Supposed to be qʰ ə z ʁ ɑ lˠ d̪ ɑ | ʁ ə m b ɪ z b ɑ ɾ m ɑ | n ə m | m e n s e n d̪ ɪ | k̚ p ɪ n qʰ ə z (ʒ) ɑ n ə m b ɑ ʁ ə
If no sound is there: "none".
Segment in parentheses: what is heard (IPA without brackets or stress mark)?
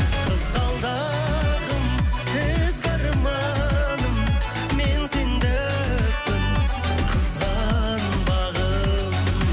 ʁ